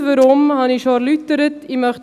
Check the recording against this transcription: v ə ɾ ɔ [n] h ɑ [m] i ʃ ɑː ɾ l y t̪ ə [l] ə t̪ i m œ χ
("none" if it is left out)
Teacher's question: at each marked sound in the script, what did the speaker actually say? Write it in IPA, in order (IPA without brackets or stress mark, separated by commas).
m, n, ɾ